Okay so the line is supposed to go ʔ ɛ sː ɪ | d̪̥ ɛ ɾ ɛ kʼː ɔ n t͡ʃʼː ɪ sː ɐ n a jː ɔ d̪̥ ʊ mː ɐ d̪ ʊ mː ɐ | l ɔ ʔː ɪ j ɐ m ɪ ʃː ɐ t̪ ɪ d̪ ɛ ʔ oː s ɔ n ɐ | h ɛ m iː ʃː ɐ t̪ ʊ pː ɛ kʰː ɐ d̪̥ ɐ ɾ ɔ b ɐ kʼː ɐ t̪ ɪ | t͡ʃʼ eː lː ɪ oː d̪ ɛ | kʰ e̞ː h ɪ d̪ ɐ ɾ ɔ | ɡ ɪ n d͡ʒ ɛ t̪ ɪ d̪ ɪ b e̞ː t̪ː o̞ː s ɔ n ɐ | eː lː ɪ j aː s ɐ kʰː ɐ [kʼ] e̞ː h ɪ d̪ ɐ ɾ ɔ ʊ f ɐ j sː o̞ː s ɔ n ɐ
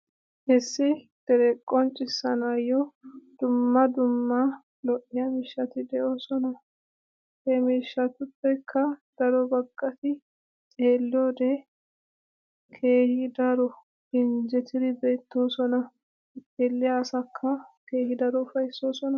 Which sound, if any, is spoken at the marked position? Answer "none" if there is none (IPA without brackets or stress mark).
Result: k